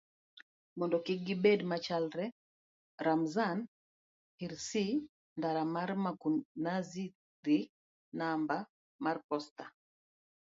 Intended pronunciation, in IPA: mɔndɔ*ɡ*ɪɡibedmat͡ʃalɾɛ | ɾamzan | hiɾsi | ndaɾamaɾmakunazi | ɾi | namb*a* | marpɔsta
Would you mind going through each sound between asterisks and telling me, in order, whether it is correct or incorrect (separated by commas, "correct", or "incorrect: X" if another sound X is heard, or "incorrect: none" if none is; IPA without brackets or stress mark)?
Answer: incorrect: k, correct